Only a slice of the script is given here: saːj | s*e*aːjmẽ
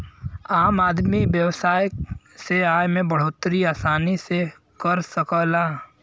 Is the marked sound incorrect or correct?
correct